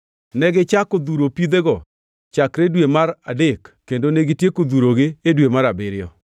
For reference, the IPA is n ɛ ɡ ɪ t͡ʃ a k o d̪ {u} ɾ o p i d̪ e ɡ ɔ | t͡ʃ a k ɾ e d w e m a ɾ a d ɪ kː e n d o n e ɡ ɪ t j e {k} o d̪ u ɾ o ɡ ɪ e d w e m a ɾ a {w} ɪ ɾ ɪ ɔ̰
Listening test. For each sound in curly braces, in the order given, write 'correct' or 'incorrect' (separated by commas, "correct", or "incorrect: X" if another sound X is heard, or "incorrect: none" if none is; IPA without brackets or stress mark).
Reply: correct, correct, incorrect: b